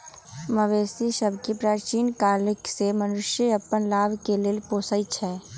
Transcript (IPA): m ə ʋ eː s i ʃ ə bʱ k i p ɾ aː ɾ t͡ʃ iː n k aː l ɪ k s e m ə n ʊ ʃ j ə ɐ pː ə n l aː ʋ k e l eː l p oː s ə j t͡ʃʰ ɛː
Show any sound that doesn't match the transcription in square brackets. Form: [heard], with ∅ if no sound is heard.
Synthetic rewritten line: m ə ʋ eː s i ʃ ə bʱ k i p ɾ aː ɾ t͡ʃ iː n k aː l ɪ k s e m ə n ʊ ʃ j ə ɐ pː ə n l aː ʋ k e l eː l p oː s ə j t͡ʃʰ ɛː